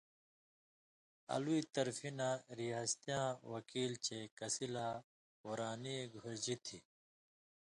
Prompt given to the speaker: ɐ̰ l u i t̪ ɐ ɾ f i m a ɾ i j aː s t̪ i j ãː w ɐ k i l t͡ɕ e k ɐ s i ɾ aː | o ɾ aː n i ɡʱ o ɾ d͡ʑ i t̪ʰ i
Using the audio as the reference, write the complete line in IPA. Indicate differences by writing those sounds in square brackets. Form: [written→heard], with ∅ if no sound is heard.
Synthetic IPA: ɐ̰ l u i t̪ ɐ ɾ f i [m→n] a ɾ i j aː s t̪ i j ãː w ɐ k [i→iː] l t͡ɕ e k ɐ s i [ɾ→l] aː | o ɾ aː n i ɡʱ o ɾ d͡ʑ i t̪ʰ i

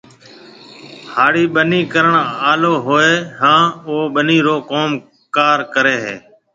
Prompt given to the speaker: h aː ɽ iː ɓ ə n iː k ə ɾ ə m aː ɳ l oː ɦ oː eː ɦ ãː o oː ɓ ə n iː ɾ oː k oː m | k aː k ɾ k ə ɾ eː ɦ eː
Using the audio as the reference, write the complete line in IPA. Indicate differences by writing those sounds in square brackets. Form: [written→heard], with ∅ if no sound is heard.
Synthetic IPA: h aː ɽ iː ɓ ə n iː k ə ɾ ə [m→ɳ] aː [ɳ→∅] l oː ɦ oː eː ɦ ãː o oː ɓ ə n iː ɾ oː k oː m | k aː [k→∅] ɾ k ə ɾ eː ɦ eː

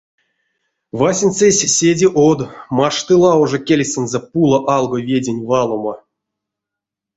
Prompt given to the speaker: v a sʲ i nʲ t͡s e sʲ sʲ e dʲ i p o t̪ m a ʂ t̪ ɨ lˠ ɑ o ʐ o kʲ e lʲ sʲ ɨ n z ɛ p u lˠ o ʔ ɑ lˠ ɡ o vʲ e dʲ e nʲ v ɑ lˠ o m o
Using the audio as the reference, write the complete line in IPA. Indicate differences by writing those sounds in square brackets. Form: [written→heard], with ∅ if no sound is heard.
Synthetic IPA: v a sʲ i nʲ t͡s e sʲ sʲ e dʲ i [p→ʔ] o [t̪→d̪] m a ʂ t̪ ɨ lˠ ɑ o ʐ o kʲ e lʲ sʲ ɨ n z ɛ p u lˠ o ʔ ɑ lˠ ɡ o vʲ e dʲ e nʲ v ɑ lˠ o m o

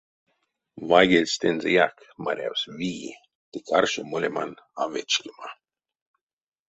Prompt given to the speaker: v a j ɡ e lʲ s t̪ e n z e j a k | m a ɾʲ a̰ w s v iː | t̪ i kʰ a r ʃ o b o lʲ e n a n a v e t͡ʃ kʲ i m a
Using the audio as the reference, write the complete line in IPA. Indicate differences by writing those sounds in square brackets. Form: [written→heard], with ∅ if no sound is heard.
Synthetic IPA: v a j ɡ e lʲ s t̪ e n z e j a k | m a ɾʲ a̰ w s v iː | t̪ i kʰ a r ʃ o [b→m] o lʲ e [n→m] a n a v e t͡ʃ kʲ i m a

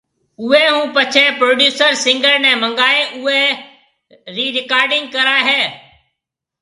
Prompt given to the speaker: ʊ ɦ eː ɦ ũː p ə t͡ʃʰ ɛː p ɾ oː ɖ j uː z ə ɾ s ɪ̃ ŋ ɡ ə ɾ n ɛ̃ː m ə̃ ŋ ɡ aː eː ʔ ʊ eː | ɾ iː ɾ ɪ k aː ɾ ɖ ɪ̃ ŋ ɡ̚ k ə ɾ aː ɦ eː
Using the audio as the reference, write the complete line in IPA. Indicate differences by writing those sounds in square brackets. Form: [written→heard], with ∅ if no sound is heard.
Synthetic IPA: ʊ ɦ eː ɦ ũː p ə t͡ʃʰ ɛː p ɾ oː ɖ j uː [z→s] ə ɾ s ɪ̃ ŋ ɡ ə ɾ n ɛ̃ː m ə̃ ŋ ɡ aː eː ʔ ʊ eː | ɾ iː ɾ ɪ k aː ɾ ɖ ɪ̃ ŋ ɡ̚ k ə ɾ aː ɦ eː

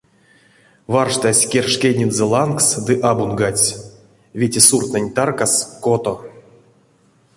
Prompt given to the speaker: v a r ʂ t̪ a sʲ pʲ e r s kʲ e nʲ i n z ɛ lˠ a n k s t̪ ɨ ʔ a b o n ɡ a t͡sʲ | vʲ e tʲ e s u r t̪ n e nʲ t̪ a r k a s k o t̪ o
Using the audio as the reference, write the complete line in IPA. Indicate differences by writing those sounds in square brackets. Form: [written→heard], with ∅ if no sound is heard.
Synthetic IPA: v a r ʂ t̪ a sʲ [pʲ→kʲ] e r [s→ʂ] kʲ e nʲ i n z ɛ lˠ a n k s [t̪→d̪] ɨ ʔ a b [o→u] n ɡ a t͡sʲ | vʲ e tʲ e s u r t̪ n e nʲ t̪ a r k a s k o t̪ o

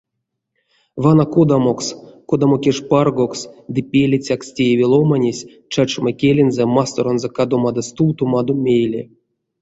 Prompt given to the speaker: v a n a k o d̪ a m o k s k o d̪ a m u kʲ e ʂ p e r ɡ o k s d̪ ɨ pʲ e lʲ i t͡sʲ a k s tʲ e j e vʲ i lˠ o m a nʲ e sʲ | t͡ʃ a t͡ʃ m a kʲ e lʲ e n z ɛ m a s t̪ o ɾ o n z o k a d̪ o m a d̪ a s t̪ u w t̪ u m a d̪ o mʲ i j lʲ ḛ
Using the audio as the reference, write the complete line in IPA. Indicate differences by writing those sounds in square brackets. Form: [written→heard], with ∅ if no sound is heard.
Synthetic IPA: v a n a k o d̪ a m o k s k o d̪ a m [u→o] kʲ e ʂ p [e→a] r ɡ o k s d̪ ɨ pʲ e lʲ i t͡sʲ a k s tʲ e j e vʲ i lˠ o m a nʲ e sʲ | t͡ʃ a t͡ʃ m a kʲ e lʲ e n z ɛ m a s t̪ o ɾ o n z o k a d̪ o m a d̪ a s t̪ u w t̪ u m a d̪ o mʲ [i→e] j lʲ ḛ

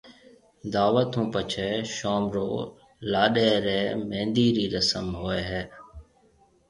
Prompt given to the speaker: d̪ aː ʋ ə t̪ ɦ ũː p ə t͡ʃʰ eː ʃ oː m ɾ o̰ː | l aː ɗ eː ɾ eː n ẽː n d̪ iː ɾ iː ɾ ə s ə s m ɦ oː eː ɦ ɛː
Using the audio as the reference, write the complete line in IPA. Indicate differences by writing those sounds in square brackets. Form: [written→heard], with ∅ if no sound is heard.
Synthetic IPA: d̪ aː ʋ ə t̪ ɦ ũː p ə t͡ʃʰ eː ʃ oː m ɾ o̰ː | l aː ɗ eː ɾ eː [n→m] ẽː n d̪ iː ɾ iː ɾ ə s ə [s→∅] m ɦ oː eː ɦ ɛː

